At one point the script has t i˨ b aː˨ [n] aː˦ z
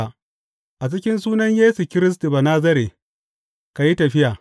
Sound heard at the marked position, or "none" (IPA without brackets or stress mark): n